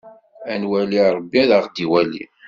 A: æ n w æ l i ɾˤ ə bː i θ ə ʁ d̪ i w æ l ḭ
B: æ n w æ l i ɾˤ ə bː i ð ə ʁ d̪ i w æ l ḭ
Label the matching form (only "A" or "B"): B